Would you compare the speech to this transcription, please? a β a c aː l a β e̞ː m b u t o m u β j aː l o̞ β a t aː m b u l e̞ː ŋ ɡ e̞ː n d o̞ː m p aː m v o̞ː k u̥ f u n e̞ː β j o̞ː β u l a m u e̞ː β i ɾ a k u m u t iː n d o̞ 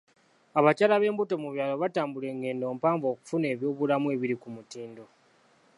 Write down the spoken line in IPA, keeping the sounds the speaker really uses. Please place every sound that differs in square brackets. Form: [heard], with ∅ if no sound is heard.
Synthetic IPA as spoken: a β a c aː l a β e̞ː m b u t o m u β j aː l o̞ β a t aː m b u l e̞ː ŋ ɡ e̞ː n d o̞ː m p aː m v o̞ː k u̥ f u n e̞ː β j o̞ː β u l a m u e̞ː β i ɾ [i] k u m u t iː n d o̞

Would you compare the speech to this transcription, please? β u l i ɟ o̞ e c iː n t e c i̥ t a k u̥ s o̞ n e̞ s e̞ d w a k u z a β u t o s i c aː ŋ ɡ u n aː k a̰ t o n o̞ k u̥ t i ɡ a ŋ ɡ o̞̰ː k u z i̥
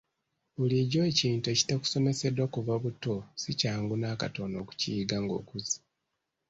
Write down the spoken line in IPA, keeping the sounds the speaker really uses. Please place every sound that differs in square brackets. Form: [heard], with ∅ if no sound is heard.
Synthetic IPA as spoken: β u l i ɟ o̞ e c iː n t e c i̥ t a k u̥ s o̞ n e̞ s e̞ d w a k u [v] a β u t o s i c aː ŋ ɡ u n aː k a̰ t o n o̞ k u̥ [c] i ɡ a ŋ ɡ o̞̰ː k u z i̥

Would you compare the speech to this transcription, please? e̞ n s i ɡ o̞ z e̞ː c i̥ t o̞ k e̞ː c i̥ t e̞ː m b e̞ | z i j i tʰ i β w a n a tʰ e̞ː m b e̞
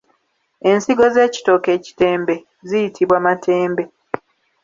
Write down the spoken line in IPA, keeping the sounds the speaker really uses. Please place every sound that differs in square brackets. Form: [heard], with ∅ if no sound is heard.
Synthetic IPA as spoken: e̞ n s i ɡ o̞ z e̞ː c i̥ t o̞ k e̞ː c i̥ t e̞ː m b e̞ | z i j i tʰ i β w a [m] a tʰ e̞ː m b e̞

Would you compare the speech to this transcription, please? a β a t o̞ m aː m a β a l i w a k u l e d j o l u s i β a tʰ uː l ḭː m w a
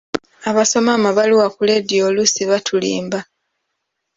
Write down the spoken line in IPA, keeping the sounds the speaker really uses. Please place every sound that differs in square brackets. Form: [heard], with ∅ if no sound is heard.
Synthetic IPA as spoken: a β a [s] o̞ m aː m a β a l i w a k u l e d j o l u s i β a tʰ [u] l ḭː m [b] a

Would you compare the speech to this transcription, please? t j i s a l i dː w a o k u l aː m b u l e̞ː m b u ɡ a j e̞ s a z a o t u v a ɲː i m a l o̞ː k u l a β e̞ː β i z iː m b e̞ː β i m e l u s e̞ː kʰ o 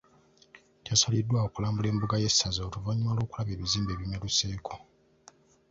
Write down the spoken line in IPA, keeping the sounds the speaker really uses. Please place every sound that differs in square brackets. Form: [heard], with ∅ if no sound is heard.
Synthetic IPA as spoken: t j [a] s a l i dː w a o k u l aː m b u l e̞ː m b u ɡ a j e̞ s a z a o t u v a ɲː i m a l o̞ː k u l a β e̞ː β i z iː m b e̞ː β i m e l u s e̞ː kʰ o

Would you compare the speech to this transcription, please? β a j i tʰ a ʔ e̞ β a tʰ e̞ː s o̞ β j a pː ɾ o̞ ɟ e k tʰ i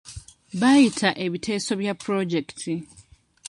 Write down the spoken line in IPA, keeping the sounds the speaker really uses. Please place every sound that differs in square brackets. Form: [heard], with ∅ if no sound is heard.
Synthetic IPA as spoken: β a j i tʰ a ʔ e̞ β [i] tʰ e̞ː s o̞ β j a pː ɾ o̞ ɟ e k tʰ i

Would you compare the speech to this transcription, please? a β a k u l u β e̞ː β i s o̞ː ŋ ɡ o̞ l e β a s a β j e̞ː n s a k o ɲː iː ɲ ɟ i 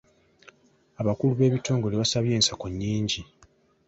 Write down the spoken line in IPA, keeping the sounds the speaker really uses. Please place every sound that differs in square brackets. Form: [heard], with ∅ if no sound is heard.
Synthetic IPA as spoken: a β a k u l u β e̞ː β i [t] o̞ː ŋ ɡ o̞ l e β a s a β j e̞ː n s a k o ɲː iː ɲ ɟ i

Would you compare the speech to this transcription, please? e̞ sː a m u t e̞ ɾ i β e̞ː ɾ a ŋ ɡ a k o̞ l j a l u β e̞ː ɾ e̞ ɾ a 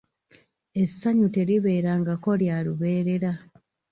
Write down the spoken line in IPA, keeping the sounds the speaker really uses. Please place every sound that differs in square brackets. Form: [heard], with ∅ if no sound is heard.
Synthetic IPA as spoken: e̞ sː a [ɲ] u t e̞ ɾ i β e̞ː ɾ a ŋ ɡ a k o̞ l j a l u β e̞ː ɾ e̞ ɾ a

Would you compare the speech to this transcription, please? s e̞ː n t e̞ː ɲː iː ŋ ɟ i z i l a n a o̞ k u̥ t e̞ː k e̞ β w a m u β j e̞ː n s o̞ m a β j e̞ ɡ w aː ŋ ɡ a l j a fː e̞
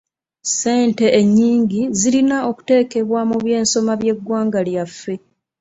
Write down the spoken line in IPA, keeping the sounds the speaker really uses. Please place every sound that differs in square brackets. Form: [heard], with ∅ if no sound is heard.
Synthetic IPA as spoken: s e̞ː n t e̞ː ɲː iː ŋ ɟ i z i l [i] n a o̞ k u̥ t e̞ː k e̞ β w a m u β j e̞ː n s o̞ m a β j e̞ ɡ w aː ŋ ɡ a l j a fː e̞

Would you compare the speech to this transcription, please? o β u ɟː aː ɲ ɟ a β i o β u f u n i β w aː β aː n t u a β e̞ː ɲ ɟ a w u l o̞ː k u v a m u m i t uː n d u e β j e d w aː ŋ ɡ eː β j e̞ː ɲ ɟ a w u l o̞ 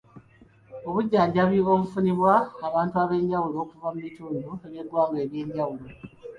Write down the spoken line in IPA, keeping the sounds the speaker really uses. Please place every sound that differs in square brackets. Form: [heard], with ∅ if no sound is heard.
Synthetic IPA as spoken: o β u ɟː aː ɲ ɟ a β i o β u f u n i β w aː β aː n t u a β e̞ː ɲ ɟ a w u l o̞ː k u v a m u m i t uː n d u e β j e d w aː ŋ ɡ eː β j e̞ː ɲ ɟ a w u l o̞

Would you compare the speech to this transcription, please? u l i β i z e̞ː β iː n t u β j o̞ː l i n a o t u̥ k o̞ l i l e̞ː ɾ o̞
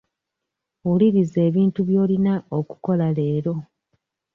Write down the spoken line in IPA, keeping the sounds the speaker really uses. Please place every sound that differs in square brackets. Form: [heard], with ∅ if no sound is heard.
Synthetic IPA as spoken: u l i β i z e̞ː β iː n t u β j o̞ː l i n a o [k] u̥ k o̞ l [a] l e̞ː ɾ o̞

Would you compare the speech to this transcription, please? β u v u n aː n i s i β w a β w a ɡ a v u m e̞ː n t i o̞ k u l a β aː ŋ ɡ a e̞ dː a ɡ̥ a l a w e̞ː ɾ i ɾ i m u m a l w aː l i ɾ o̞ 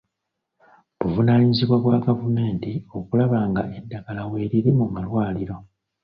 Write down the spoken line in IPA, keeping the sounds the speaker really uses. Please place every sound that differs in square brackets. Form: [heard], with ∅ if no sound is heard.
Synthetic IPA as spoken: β u v u n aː [ɲ] i [z] i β w a β w a ɡ a v u m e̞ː n t i o̞ k u l a β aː ŋ ɡ a e̞ dː a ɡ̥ a l a w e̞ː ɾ i ɾ i m u m a l w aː l i ɾ o̞

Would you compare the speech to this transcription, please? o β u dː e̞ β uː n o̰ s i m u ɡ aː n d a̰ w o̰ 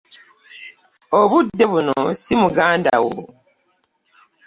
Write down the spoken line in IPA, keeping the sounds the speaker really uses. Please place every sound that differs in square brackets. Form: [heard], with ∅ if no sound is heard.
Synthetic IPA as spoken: o β u dː e̞ β [u] n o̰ s i m u ɡ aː n d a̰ w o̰

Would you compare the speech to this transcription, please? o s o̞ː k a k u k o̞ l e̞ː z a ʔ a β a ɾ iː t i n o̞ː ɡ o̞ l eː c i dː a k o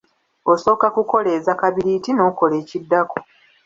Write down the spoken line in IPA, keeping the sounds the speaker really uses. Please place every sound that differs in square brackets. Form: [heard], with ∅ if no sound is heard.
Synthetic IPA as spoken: o s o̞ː k a k u k o̞ l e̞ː z a [k] a β [i] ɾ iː t i n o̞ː [k] o̞ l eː c i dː a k o

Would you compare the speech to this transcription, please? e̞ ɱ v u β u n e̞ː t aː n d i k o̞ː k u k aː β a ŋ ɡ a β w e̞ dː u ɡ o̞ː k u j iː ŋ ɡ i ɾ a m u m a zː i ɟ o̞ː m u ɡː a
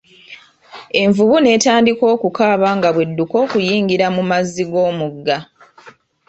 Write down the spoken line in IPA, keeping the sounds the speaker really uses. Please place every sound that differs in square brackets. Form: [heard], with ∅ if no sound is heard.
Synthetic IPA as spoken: e̞ ɱ v u β u n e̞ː t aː n d i k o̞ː k u k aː β a ŋ ɡ a β w e̞ dː u [k] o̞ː k u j iː ŋ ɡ i ɾ a m u m a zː i [ɡ] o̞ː m u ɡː a

